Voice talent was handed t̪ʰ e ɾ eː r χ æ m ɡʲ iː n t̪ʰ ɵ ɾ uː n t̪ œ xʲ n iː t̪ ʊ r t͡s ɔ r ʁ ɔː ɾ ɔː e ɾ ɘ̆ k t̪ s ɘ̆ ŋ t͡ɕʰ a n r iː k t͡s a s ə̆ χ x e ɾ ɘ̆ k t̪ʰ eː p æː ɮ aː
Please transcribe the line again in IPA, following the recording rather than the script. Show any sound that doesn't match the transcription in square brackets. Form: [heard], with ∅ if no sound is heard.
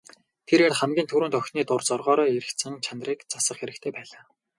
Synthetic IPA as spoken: t̪ʰ e ɾ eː r χ æ m ɡʲ iː n t̪ʰ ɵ ɾ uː n t̪ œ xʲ n iː t̪ ʊ r t͡s ɔ r ʁ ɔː ɾ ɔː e ɾ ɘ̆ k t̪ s ɘ̆ ŋ t͡ɕʰ a n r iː k t͡s a s ə̆ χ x e ɾ ɘ̆ k t̪ʰ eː p æː ɮ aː

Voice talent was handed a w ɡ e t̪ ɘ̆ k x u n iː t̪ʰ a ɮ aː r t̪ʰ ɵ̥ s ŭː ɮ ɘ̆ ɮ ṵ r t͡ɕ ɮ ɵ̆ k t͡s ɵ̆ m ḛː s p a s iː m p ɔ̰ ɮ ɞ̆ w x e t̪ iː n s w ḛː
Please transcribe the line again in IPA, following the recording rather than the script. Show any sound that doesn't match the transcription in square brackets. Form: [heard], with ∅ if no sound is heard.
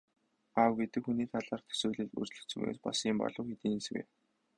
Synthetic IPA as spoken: a w ɡ e t̪ ɘ̆ k x u n iː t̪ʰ a ɮ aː r t̪ʰ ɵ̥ s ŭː ɮ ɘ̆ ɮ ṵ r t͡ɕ ɮ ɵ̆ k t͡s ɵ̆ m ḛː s p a s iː m p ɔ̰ ɮ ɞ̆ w x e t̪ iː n s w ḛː

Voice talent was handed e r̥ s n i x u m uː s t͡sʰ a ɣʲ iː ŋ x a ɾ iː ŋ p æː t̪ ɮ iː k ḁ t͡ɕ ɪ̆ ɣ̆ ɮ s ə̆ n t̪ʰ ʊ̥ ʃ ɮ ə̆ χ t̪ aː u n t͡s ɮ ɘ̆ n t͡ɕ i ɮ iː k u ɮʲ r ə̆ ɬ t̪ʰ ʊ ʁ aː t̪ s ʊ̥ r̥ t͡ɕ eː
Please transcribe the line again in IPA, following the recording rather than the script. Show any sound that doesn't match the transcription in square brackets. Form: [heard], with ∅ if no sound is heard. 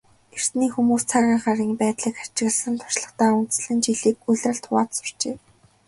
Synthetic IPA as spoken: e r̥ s n [iː] x u m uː s t͡sʰ a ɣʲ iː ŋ [χ] a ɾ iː ŋ p æː t̪ ɮ iː k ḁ t͡ɕ ɪ̆ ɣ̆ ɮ s ə̆ n t̪ʰ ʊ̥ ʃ ɮ ə̆ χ t̪ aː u n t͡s ɮ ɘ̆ n t͡ɕ i ɮ iː k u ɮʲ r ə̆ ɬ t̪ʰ ʊ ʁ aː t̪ s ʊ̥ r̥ t͡ɕ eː

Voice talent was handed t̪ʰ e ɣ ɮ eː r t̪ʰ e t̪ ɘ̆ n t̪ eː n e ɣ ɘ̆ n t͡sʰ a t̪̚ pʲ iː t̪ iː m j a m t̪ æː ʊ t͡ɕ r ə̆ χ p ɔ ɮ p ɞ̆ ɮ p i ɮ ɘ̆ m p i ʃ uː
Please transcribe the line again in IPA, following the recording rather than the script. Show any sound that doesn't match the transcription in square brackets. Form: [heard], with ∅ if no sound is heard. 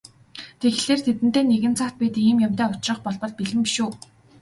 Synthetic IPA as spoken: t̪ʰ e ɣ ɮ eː r t̪ʰ e t̪ ɘ̆ n t̪ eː n e ɣ ɘ̆ n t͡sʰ a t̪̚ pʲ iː t̪ iː m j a m t̪ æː ʊ t͡ɕ r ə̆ χ p ɔ ɮ p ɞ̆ ɮ p i ɮ ɘ̆ m p i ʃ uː

